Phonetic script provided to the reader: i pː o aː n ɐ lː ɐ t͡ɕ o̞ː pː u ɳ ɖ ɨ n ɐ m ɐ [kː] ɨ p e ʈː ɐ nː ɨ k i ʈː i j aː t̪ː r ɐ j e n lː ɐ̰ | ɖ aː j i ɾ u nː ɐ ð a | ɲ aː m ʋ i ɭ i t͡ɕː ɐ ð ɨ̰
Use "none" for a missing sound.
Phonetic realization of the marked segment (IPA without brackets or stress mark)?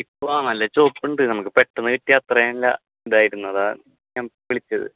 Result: kː